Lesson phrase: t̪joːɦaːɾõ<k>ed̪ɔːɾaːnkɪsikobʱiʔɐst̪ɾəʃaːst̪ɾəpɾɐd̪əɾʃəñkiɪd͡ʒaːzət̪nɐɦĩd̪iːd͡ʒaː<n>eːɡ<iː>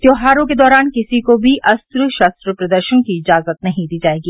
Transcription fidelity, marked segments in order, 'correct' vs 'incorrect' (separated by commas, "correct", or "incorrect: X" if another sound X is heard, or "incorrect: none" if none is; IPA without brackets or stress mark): correct, incorrect: none, correct